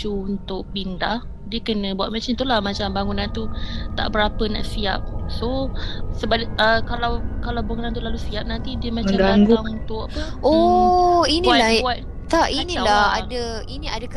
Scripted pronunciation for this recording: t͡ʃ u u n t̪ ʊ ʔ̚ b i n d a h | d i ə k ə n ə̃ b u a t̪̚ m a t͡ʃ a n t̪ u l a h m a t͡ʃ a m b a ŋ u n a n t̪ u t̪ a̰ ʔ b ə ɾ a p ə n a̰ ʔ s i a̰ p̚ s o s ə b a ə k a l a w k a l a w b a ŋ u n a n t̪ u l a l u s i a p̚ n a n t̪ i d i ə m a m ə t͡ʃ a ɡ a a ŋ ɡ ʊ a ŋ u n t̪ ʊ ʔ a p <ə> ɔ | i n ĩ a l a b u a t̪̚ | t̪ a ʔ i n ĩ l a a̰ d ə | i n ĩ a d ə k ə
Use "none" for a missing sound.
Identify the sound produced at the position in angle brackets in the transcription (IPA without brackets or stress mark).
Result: ə